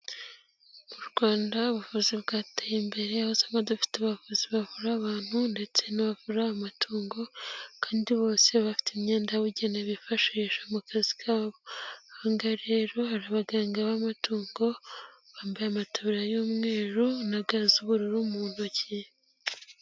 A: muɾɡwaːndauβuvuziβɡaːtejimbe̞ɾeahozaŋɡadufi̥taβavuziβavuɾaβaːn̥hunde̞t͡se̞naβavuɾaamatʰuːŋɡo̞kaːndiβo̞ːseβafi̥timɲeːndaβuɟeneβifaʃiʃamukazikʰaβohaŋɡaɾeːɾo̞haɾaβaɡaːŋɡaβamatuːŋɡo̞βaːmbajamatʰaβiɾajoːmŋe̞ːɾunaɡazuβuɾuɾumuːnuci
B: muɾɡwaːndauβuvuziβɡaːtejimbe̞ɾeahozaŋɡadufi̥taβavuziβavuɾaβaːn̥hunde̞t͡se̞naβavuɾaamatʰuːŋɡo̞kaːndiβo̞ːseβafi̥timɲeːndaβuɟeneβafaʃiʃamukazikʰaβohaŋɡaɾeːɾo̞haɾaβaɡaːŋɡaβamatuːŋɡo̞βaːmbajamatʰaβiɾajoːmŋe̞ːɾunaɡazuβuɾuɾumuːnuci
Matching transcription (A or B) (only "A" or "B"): A